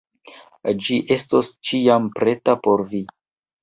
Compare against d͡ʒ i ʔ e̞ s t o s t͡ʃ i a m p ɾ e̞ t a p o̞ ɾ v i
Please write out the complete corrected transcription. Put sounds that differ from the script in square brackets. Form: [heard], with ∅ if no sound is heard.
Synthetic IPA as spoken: d͡ʒ i ʔ e̞ s t o s t͡ʃ i a m p ɾ e̞ t a p o̞ ɾ v i